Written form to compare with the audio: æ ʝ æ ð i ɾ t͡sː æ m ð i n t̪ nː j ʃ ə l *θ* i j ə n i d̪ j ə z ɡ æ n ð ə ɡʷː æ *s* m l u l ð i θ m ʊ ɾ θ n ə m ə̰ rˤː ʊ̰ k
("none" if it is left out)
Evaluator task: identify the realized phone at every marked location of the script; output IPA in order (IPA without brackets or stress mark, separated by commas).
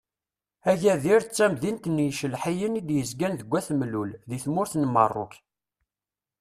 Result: ħ, θ